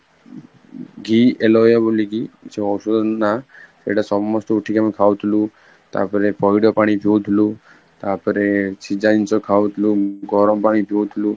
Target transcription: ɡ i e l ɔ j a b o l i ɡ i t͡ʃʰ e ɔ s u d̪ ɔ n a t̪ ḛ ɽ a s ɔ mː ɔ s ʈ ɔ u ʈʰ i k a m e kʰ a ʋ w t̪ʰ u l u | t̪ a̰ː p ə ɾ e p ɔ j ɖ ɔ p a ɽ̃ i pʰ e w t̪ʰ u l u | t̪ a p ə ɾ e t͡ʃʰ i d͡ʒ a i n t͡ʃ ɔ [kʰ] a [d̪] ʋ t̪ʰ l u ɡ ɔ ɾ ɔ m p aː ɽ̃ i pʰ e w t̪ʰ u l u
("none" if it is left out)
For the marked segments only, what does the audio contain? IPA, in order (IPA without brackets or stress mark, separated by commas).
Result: kʰ, none